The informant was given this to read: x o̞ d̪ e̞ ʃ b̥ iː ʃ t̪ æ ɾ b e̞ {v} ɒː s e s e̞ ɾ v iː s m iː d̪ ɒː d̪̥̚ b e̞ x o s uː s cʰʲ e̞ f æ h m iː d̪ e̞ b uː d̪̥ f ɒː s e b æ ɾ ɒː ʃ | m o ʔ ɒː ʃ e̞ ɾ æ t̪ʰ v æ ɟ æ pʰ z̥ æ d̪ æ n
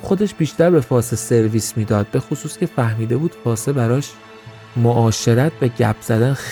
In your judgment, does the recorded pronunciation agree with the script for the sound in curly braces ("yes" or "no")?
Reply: no